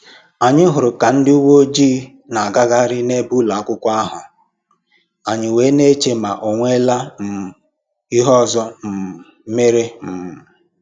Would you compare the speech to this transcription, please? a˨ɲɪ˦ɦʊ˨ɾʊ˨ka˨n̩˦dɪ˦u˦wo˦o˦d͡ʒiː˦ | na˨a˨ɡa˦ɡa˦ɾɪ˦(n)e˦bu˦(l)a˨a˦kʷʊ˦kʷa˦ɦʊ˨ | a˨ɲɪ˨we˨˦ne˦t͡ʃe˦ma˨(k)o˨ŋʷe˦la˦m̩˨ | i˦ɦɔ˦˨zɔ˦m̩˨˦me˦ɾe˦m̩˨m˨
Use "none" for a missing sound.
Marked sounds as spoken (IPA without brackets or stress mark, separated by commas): n, l, ʔ